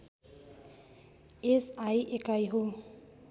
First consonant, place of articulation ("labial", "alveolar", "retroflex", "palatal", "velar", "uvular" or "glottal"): alveolar